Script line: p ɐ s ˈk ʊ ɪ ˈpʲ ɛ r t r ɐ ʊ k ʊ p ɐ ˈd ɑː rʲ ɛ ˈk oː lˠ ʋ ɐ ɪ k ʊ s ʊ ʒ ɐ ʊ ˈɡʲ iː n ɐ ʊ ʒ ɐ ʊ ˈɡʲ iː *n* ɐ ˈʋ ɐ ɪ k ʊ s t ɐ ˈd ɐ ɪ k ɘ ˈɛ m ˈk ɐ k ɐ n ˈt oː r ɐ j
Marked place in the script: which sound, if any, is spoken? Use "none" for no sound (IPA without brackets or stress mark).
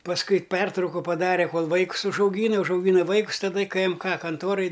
n